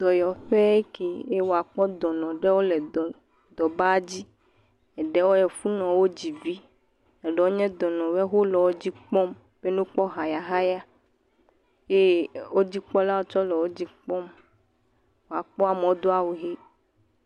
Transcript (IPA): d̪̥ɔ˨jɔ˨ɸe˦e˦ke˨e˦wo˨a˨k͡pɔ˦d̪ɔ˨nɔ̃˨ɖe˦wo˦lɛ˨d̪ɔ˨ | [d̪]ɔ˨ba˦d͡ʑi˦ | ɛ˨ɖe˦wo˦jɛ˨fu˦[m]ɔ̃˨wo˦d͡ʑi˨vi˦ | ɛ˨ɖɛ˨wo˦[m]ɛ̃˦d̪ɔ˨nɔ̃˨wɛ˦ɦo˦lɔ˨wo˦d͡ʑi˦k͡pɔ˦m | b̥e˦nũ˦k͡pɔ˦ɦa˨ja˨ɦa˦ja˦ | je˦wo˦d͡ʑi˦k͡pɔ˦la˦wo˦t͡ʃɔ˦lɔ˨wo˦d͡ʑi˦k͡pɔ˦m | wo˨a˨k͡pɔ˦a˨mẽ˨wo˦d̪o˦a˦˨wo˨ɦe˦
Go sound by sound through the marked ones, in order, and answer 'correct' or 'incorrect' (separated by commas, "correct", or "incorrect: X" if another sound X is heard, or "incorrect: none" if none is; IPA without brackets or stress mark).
correct, incorrect: n, incorrect: ɲ